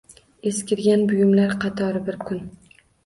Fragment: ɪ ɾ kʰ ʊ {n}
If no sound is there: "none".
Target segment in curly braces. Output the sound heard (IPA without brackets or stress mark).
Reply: n